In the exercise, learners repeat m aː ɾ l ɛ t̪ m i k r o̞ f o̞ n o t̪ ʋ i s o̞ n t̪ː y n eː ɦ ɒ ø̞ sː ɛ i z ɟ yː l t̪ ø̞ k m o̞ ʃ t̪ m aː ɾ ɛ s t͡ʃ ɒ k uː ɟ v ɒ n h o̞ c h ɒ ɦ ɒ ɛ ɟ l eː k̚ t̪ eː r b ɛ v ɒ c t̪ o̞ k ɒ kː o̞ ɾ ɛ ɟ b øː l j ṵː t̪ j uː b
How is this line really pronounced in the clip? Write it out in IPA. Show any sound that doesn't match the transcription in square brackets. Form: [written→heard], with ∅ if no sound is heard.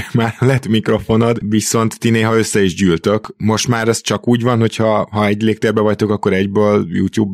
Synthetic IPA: m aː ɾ l ɛ t̪ m i k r o̞ f o̞ n o [t̪→d̪] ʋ i s o̞ n t̪ː [y→i] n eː ɦ ɒ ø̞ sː ɛ i [z→ʒ] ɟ yː l t̪ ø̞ k m o̞ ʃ t̪ m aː ɾ ɛ s t͡ʃ ɒ k uː ɟ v ɒ n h o̞ c h ɒ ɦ ɒ ɛ ɟ l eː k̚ t̪ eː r b ɛ v ɒ c t̪ o̞ k ɒ kː o̞ ɾ ɛ ɟ b øː l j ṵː t̪ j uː b